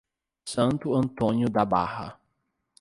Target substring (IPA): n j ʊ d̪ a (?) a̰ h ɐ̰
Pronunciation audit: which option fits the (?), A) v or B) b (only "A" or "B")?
B